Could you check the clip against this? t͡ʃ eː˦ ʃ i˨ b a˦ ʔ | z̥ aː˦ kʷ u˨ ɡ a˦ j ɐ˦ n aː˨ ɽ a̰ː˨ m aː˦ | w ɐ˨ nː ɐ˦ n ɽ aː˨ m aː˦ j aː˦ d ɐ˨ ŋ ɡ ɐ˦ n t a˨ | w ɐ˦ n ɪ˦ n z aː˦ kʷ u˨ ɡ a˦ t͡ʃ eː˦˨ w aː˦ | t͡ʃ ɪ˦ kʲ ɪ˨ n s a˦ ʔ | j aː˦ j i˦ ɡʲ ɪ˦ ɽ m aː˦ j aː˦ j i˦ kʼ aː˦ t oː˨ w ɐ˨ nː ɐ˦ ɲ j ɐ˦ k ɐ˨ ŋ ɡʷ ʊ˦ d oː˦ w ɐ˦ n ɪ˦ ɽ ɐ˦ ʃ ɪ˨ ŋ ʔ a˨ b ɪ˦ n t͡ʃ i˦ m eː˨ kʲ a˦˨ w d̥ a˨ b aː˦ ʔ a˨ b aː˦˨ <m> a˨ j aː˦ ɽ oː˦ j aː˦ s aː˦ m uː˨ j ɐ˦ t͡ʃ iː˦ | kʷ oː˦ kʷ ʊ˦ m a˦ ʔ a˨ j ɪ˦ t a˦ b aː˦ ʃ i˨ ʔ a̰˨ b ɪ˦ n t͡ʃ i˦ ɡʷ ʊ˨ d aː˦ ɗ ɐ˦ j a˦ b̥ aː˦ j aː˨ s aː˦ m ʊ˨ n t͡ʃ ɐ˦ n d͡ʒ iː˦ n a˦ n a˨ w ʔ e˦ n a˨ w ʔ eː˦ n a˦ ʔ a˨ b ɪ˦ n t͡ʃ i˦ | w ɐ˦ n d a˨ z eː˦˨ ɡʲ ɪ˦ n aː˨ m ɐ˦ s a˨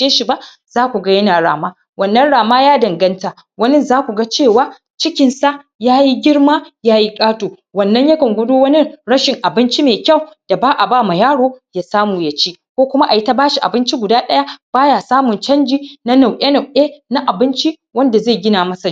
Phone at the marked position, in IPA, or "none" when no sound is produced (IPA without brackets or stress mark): m